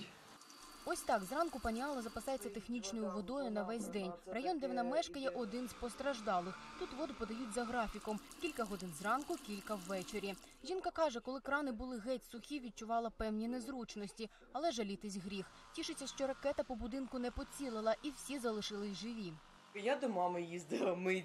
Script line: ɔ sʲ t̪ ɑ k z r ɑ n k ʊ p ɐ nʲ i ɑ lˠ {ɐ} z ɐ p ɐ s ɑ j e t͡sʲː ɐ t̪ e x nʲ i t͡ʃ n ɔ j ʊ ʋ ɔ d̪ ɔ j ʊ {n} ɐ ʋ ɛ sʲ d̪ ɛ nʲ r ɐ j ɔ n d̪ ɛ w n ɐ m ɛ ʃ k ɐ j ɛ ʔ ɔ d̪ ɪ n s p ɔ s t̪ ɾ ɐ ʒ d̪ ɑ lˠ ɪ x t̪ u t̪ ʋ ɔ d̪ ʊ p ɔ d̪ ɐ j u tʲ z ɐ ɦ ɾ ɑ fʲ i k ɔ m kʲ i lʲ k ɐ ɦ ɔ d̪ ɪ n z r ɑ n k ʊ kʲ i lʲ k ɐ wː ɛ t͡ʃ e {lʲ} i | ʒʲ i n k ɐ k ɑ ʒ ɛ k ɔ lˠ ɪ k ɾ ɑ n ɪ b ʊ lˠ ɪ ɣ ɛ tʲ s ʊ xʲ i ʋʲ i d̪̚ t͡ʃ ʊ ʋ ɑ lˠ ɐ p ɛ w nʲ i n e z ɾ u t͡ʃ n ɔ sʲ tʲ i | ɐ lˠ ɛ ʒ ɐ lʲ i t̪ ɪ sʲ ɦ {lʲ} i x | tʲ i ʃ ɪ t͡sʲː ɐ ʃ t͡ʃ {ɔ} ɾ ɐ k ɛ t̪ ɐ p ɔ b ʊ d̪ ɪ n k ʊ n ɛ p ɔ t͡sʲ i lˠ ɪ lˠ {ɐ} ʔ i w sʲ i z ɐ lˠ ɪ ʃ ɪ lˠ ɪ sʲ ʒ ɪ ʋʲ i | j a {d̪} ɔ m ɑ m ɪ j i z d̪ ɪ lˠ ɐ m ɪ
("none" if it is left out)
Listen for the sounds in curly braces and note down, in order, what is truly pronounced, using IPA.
ɐ, n, ɾʲ, ɾʲ, ɔ, ɐ, d̪

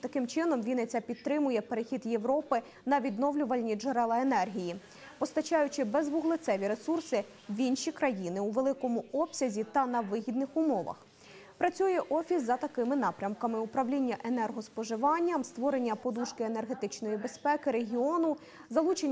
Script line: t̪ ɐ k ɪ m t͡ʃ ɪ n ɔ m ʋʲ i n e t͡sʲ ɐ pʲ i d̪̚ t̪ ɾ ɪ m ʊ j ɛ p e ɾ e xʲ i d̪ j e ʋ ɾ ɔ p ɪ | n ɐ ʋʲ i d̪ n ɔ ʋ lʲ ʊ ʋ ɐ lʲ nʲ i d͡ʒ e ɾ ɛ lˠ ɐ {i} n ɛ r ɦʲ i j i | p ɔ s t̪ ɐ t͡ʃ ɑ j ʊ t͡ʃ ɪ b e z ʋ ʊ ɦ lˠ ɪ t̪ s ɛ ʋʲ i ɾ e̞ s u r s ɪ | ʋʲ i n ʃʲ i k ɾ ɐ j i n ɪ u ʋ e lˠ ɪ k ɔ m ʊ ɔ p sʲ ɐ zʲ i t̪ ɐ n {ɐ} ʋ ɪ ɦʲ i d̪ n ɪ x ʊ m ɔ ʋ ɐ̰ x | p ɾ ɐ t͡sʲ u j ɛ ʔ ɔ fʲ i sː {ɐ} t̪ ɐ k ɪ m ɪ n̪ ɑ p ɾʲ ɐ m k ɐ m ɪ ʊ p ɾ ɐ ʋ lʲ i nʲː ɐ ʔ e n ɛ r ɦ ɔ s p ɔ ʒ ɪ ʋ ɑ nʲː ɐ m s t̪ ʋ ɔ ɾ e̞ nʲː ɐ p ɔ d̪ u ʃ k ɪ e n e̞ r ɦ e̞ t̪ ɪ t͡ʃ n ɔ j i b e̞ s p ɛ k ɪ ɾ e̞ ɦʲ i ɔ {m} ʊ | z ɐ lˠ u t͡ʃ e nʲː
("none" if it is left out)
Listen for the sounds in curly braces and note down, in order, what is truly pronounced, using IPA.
e, ɐ, ɐ, n

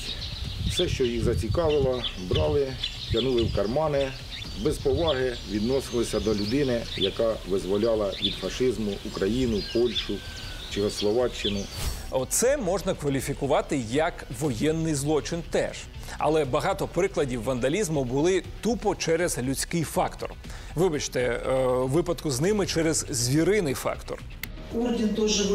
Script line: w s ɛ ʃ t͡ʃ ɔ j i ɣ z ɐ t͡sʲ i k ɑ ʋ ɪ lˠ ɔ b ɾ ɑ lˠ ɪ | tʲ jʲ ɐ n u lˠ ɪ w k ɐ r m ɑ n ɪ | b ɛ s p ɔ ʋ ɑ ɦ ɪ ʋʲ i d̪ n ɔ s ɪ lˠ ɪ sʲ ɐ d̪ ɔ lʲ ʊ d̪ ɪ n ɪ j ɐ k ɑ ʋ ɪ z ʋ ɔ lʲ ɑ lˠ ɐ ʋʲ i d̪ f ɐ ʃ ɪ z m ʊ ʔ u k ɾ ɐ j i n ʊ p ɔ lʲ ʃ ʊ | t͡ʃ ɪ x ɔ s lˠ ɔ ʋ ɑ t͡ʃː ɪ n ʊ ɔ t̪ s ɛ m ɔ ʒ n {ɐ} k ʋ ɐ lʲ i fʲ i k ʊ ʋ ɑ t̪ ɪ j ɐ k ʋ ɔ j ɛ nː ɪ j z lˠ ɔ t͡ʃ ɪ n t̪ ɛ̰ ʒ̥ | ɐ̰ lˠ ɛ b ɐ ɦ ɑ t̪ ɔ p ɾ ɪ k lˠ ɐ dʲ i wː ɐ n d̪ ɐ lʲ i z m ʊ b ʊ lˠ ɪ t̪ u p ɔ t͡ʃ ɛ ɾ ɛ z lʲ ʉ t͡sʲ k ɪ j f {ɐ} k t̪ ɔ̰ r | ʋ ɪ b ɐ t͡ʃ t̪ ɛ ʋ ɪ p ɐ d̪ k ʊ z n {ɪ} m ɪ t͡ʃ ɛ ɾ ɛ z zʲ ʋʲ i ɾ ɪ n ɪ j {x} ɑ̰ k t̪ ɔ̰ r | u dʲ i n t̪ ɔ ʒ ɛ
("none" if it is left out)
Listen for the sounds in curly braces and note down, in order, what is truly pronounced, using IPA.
ɐ, ɑ, ɪ, f

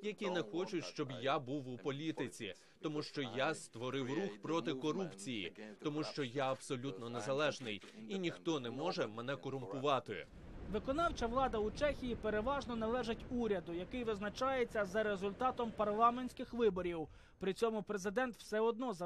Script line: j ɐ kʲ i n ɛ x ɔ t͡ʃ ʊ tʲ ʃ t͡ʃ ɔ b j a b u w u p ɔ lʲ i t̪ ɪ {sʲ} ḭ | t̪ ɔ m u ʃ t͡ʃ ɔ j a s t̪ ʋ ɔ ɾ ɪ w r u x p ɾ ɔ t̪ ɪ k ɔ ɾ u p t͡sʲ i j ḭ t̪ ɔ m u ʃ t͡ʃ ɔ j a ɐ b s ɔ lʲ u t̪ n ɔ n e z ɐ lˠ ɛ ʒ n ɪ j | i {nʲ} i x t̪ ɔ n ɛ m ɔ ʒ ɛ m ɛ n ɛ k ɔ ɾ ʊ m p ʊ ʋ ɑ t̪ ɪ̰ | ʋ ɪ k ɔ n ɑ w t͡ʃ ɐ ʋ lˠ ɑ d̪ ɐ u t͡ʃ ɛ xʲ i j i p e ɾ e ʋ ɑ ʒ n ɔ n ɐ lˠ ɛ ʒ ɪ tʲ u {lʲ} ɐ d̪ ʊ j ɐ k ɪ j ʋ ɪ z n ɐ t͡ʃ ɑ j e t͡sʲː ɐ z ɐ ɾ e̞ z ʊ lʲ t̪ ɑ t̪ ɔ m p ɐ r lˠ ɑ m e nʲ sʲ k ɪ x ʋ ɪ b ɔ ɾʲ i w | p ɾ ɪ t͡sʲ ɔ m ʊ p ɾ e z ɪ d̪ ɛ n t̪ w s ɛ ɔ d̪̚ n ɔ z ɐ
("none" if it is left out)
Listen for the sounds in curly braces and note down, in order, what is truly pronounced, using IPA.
t͡sʲ, nʲ, ɾʲ

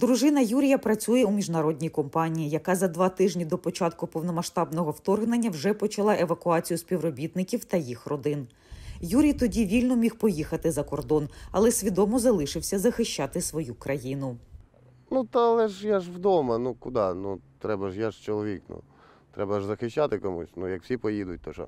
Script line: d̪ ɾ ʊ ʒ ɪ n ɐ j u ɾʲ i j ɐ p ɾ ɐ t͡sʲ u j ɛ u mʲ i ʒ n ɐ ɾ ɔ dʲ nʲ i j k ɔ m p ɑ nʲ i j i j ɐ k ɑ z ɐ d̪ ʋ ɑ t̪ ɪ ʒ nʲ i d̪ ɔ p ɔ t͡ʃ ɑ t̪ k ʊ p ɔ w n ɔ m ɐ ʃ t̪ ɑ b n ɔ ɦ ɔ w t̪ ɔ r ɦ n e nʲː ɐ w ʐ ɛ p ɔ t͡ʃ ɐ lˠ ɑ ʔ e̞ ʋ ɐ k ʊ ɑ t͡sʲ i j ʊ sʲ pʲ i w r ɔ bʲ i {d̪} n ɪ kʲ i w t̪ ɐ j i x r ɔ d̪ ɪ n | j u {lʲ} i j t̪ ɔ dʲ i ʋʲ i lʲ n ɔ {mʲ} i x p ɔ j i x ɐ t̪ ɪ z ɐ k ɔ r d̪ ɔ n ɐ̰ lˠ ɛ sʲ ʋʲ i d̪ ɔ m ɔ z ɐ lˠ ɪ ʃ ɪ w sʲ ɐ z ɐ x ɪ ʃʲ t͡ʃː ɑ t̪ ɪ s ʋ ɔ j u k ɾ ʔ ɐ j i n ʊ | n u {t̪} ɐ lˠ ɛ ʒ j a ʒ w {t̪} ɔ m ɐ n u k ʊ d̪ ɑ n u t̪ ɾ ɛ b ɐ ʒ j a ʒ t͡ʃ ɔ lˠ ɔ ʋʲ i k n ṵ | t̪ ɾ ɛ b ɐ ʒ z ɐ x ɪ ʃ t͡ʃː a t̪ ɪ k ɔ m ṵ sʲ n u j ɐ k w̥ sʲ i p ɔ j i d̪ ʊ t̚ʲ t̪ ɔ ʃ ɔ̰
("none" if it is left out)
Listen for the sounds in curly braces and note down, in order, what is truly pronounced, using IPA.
t̪, ɾʲ, mʲ, t̪, d̪

